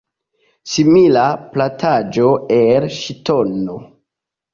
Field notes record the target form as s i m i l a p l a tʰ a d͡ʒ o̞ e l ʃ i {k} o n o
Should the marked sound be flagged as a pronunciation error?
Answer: yes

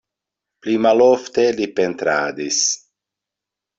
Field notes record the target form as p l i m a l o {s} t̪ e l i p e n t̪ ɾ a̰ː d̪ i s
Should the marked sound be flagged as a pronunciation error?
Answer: yes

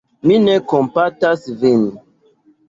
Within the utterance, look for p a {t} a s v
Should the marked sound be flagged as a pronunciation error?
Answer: no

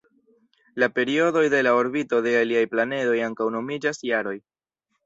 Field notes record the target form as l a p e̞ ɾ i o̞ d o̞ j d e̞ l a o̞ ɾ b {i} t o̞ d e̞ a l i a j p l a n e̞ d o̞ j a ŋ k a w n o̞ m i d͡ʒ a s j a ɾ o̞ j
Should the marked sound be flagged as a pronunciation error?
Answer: no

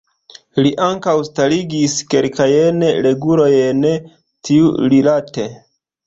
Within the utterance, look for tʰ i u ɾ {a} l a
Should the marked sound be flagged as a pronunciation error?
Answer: yes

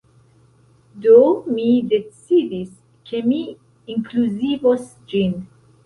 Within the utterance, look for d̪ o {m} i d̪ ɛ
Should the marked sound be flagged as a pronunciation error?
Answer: no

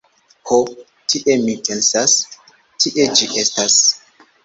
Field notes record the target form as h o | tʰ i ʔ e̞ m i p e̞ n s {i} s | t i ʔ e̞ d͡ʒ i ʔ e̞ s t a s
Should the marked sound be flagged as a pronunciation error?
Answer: yes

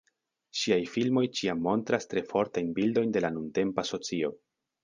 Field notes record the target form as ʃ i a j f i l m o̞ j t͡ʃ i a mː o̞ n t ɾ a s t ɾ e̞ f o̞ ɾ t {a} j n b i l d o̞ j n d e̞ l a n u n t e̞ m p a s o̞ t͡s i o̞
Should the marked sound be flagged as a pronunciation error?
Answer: no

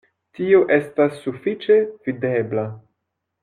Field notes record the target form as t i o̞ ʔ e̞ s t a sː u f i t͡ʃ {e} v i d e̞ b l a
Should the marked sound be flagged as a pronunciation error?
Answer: no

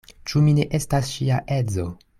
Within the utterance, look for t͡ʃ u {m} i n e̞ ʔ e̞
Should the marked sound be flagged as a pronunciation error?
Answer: no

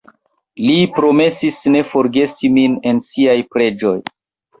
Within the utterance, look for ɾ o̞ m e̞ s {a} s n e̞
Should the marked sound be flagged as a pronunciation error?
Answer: yes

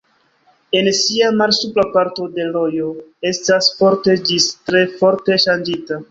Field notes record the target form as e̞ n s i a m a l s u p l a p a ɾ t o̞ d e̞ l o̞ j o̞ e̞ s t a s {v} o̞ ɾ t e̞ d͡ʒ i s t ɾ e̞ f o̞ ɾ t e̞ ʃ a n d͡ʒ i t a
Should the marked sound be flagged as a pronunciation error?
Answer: yes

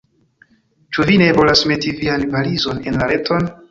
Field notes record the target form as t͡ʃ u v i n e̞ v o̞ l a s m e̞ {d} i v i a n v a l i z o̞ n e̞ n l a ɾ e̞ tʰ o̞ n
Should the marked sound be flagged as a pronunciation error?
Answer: yes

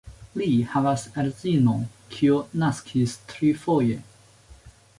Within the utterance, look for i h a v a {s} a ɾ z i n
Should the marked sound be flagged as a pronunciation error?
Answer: no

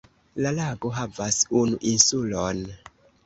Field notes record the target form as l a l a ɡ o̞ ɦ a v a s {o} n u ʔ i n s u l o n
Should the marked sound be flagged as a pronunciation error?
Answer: yes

